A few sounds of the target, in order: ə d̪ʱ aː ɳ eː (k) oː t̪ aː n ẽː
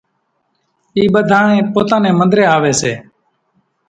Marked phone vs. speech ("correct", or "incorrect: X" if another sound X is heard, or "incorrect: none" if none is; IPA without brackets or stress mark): incorrect: p